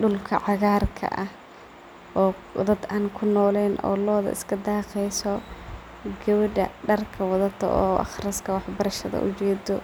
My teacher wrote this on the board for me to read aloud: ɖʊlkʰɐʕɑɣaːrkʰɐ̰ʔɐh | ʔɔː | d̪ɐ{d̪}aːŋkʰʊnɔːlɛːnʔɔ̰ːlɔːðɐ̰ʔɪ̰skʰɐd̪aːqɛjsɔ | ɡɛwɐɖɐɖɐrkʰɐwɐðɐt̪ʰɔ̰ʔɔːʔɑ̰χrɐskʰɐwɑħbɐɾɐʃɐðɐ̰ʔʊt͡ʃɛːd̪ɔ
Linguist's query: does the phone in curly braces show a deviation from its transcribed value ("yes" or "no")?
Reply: no